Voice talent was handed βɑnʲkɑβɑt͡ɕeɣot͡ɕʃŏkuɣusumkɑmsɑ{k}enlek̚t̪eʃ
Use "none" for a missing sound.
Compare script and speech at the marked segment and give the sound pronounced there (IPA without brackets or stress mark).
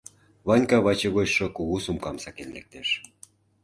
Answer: k